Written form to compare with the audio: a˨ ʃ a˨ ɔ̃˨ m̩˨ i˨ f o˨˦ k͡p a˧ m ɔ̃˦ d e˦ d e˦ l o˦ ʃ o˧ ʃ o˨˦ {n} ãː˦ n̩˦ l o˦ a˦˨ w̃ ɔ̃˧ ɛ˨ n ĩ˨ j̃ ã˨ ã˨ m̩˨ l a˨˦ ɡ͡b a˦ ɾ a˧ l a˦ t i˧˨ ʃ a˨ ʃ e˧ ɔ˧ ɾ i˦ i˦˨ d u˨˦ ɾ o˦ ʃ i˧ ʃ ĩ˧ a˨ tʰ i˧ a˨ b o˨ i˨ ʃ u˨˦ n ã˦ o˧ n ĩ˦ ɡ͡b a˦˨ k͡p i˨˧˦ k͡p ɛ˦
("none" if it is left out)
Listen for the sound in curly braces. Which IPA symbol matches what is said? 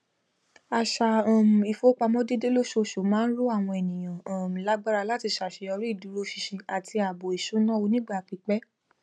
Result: m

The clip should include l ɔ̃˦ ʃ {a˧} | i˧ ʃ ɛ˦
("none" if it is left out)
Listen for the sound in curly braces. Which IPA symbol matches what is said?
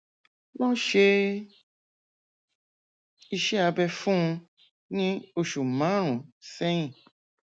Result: e˧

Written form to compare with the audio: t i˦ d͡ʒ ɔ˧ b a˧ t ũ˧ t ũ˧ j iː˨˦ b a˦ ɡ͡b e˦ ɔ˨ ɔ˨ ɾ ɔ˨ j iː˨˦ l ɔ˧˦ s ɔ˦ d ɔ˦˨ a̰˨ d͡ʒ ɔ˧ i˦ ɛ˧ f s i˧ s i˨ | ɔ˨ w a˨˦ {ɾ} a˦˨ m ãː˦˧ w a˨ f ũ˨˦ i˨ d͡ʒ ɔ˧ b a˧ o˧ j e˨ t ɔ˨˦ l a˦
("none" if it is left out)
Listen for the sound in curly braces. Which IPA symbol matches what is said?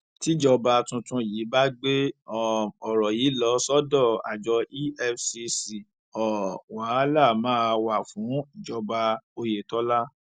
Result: l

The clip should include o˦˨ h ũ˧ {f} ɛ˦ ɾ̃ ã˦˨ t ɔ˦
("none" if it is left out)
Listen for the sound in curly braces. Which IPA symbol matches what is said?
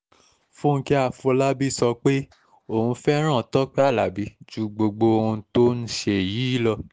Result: f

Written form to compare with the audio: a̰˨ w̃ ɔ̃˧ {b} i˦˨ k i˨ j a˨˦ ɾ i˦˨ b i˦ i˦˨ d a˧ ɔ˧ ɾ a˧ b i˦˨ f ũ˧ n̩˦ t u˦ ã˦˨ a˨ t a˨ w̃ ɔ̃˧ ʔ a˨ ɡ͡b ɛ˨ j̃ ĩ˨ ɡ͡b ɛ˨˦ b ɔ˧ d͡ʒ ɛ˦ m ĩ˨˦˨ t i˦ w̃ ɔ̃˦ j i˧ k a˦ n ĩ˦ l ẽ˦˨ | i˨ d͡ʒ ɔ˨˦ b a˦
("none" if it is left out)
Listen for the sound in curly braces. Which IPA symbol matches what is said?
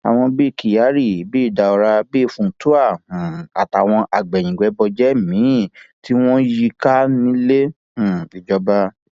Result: b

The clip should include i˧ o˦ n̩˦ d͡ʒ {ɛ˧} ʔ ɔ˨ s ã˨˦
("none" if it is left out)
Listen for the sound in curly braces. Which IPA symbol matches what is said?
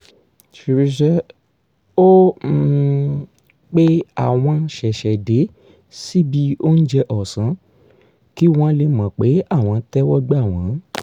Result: ɛ˧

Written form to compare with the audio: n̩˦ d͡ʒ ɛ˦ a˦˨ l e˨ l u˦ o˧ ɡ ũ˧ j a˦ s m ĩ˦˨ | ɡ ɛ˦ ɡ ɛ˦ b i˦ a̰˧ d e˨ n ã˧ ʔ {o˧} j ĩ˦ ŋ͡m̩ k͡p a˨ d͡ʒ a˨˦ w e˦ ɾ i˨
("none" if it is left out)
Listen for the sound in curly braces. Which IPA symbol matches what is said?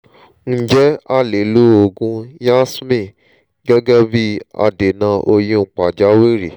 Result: o˧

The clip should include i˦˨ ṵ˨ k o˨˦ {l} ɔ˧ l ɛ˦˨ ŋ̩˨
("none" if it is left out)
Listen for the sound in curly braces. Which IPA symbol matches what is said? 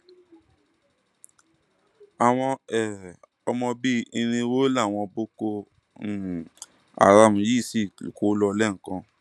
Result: l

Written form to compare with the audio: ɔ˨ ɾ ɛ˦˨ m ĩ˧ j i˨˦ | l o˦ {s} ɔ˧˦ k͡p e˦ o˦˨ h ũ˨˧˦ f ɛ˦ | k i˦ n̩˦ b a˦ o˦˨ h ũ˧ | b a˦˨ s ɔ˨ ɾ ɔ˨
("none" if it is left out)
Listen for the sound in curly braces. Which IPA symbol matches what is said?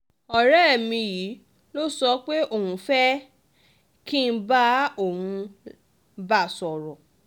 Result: s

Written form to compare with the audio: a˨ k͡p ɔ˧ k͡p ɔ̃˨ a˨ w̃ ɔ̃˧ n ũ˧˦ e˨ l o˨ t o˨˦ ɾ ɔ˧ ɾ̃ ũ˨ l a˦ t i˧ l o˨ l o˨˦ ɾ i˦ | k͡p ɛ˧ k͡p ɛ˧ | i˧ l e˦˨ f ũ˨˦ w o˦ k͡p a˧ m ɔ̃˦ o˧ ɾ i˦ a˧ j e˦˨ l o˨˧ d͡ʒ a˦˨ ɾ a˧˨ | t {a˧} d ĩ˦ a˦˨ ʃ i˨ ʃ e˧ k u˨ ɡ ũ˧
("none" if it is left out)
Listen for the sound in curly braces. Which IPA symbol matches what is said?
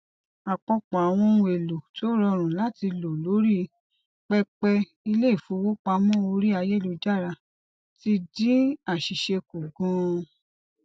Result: i˧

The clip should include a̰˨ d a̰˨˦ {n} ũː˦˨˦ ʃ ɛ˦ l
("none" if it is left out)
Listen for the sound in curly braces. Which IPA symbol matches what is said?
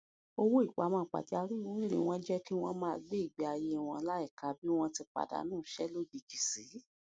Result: n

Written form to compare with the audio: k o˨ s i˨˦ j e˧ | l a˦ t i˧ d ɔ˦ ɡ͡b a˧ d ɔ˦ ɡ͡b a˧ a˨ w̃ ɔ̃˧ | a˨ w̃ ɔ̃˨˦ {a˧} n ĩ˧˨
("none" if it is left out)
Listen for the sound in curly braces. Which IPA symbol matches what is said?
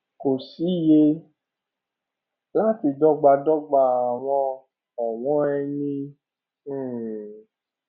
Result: ɛ˧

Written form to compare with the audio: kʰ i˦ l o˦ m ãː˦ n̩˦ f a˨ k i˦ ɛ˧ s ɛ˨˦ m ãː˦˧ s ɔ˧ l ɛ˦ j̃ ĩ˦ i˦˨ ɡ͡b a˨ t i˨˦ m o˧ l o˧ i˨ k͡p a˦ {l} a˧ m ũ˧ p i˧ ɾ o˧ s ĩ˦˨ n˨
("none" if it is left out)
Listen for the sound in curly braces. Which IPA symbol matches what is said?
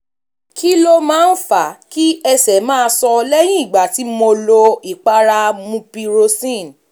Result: ɾ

